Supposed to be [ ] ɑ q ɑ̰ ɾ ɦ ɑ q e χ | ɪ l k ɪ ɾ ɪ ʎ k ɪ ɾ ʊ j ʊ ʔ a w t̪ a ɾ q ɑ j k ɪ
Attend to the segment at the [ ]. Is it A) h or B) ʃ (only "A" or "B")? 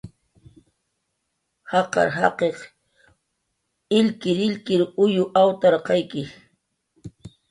A